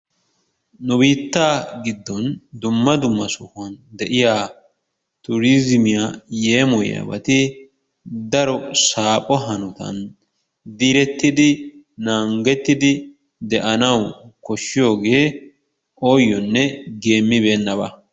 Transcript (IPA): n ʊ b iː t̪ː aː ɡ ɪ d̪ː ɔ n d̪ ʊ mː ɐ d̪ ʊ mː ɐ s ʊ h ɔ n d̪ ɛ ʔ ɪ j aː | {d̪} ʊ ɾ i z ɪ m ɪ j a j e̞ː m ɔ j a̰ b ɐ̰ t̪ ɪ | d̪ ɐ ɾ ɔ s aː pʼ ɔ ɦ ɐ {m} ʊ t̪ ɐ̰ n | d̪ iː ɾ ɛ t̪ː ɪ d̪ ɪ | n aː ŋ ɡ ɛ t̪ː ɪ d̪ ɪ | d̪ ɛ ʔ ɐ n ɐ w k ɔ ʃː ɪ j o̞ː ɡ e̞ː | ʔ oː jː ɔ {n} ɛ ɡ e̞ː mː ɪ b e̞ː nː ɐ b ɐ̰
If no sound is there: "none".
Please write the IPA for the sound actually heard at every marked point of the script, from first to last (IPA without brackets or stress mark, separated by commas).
t̪, n, nː